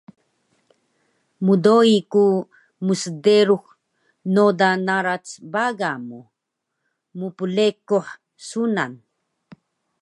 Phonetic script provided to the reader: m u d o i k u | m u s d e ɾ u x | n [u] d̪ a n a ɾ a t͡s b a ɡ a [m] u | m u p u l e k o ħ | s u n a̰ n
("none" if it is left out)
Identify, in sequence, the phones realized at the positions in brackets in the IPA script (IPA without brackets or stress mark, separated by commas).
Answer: o, m